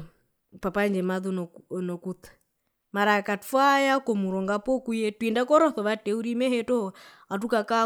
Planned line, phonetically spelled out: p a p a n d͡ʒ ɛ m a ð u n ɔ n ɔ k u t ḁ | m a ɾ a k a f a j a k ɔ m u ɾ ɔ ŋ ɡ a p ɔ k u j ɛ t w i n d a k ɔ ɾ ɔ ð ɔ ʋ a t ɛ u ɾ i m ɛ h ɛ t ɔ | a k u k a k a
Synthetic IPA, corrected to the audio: p a p a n d͡ʒ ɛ m a ð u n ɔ n ɔ k u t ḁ | m a ɾ a k a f a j a k ɔ m u ɾ ɔ ŋ ɡ a p ɔ k u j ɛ t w i n d a k ɔ ɾ ɔ θ ɔ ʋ a t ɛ u ɾ i m ɛ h ɛ t ɔ | a t u k a k a